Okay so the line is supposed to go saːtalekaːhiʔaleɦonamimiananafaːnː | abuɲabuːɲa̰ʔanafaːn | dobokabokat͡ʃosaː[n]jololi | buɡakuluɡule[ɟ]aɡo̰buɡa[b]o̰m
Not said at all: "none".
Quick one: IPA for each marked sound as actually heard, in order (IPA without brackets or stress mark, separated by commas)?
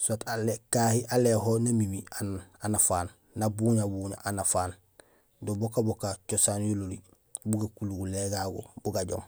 n, ɡ, ɟ